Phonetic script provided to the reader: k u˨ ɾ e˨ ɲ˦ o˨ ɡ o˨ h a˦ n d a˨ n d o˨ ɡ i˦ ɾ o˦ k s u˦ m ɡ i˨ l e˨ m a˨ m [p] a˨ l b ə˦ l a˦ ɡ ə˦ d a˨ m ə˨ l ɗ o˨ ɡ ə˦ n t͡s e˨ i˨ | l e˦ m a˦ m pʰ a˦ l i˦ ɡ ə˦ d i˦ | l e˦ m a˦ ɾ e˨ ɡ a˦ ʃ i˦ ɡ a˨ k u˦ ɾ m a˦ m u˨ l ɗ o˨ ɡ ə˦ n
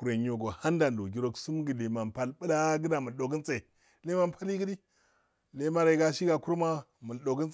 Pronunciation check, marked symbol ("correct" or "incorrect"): correct